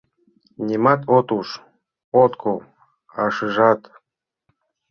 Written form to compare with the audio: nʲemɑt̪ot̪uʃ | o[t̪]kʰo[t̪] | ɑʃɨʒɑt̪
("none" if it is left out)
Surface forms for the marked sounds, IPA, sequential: t̪, none

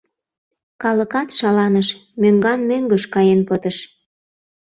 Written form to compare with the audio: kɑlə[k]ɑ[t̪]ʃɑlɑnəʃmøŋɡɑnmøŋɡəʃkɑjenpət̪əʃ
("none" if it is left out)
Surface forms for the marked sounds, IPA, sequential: k, t̪

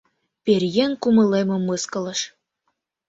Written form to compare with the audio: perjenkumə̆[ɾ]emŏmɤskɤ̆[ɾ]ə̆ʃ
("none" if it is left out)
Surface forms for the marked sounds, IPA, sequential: l, l

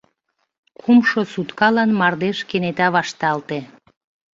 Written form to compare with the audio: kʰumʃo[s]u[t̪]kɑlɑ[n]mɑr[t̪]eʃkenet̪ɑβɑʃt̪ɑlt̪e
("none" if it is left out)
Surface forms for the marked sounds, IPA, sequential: s, t̪, n, d̪

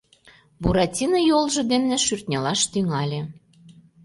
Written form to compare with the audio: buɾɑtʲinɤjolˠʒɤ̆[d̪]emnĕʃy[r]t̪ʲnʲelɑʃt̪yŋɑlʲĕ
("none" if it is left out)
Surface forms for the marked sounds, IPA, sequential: d̪, r

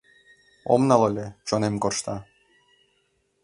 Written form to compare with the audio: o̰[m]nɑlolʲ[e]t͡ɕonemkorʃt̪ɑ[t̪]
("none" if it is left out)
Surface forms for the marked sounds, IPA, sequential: m, e, none

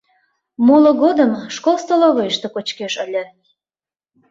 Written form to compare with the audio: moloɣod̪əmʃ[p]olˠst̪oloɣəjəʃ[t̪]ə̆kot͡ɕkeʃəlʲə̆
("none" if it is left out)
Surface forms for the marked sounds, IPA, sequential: k, t̪

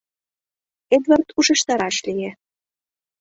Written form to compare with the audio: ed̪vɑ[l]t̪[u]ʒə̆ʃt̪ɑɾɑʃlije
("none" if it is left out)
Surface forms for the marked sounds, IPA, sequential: r, u

